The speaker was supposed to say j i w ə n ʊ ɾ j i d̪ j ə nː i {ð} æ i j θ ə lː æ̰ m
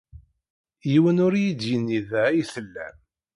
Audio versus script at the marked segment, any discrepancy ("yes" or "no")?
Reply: no